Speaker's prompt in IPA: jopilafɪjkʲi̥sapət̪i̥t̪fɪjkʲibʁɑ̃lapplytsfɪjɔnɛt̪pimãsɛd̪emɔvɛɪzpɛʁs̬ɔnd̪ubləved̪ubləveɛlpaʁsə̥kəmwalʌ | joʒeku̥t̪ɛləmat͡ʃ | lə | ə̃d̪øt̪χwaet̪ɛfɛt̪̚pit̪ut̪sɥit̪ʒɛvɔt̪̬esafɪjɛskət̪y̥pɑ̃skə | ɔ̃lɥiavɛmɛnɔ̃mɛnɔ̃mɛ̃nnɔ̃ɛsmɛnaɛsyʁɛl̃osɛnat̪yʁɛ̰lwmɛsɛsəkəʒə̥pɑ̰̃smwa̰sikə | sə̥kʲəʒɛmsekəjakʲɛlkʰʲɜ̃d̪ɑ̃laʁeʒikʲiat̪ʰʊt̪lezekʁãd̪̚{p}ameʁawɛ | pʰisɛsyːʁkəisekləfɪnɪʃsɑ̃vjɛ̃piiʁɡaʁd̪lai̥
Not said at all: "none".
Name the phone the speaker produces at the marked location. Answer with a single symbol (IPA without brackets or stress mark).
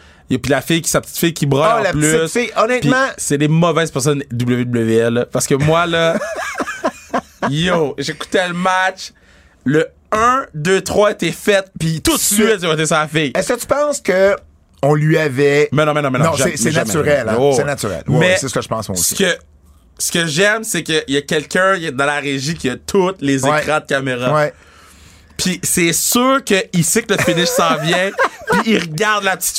k